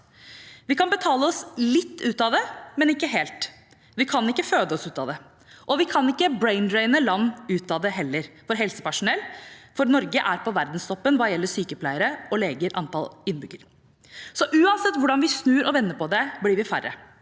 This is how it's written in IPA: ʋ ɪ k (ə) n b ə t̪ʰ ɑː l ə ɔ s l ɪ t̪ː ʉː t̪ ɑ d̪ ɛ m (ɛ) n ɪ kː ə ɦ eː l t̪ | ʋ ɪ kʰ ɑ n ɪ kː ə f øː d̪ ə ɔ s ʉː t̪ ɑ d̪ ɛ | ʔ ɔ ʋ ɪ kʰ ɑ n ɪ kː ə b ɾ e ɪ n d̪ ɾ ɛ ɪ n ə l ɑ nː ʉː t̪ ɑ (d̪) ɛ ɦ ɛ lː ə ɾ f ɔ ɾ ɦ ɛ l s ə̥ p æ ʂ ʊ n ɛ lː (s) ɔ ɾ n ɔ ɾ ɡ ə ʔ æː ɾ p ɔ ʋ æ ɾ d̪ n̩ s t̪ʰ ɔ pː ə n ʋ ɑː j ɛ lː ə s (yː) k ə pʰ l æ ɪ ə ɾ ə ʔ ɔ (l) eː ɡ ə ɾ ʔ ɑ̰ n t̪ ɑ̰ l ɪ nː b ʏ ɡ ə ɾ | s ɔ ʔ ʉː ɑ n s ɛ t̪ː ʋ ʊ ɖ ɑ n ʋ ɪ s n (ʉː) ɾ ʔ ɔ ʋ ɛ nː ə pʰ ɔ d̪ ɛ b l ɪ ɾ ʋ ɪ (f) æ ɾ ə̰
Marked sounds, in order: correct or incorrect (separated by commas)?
incorrect, correct, correct, incorrect, correct, correct, correct, correct